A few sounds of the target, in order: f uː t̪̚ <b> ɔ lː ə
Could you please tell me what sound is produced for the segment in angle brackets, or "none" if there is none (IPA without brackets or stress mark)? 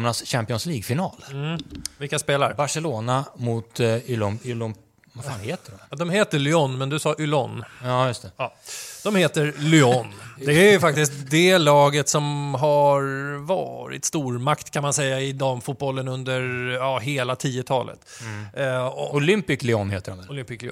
b